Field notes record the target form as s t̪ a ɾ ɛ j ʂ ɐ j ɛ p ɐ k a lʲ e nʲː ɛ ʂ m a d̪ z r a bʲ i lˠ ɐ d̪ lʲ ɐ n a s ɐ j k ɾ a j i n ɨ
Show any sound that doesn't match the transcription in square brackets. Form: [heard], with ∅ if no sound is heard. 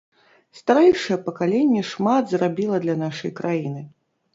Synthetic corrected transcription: s t̪ a ɾ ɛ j ʂ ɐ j ɛ p ɐ k a lʲ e nʲː ɛ ʂ m a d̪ z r a bʲ i lˠ ɐ d̪ lʲ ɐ n a [ʂ] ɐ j k ɾ a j i n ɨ